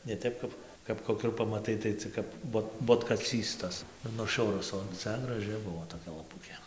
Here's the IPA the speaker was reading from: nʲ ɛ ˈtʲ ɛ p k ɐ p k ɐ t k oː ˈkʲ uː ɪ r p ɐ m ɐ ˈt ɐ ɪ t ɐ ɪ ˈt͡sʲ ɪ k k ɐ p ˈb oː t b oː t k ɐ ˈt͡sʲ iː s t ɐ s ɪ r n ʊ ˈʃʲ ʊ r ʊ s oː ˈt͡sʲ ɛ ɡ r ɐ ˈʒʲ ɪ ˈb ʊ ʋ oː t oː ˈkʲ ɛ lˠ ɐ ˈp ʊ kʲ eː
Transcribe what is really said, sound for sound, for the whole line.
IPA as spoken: nʲ ɛ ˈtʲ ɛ p k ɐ p k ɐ p k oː ˈkʲ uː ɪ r p ɐ m ɐ ˈt ɐ ɪ t ɐ ɪ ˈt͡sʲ ɪ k k ɐ p ˈb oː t b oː t k ɐ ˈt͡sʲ iː s t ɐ s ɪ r n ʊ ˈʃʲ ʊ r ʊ s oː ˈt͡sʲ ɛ ɡ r ɐ ˈʒʲ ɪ ˈb ʊ ʋ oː t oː ˈkʲ ɛ lˠ ɐ ˈp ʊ kʲ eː